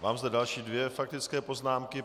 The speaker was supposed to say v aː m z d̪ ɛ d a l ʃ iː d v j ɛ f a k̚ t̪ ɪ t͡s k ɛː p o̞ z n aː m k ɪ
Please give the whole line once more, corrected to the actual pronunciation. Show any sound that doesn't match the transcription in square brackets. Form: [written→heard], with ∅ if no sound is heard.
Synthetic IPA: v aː m z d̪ ɛ d a l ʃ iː d v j ɛ f a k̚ t̪ ɪ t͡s k ɛː p o̞ z n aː m k ɪ